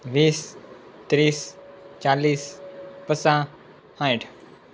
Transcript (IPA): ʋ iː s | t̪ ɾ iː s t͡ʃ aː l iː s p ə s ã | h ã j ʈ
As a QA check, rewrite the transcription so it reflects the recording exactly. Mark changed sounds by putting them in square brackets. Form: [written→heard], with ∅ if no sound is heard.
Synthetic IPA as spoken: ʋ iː s | t̪ ɾ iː s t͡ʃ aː l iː s p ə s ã | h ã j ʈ